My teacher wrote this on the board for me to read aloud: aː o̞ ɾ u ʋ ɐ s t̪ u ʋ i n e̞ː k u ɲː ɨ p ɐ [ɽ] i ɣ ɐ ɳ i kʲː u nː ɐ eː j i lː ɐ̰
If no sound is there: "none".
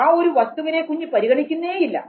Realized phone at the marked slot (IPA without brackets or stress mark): ɾ